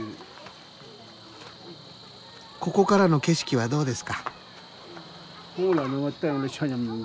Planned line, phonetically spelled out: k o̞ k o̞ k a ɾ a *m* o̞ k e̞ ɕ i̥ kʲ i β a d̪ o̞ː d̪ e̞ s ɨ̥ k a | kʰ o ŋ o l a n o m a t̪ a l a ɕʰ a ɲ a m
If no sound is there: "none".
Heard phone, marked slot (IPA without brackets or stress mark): n